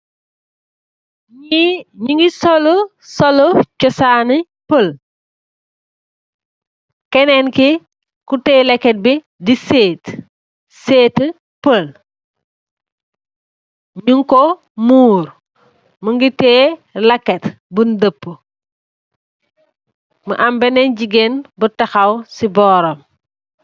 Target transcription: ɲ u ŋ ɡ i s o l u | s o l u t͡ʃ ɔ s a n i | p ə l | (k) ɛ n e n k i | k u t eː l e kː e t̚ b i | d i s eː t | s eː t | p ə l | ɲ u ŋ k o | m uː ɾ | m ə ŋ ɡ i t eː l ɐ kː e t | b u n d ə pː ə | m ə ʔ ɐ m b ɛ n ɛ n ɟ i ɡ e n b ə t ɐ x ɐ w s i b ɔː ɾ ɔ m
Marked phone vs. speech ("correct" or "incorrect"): correct